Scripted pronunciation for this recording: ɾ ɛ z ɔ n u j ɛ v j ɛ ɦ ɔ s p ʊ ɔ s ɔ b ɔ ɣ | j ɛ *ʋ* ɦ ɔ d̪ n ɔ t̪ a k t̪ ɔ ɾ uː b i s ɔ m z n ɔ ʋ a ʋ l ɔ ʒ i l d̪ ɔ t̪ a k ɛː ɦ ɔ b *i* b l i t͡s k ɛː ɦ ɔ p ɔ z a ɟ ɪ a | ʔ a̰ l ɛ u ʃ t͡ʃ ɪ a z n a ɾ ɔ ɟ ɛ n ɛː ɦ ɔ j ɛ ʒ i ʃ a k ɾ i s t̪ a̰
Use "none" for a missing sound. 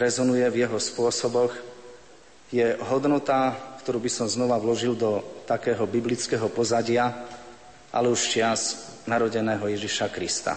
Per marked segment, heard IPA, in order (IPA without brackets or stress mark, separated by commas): none, i